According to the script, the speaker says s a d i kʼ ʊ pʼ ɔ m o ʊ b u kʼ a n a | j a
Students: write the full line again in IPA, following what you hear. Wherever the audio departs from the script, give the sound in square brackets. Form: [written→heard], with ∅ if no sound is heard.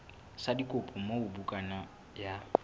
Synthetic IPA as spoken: s a d i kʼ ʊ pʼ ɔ m o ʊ b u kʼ a n a | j a